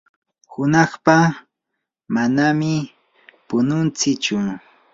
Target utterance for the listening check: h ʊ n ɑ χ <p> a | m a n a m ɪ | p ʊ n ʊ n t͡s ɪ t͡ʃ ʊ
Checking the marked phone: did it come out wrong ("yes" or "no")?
no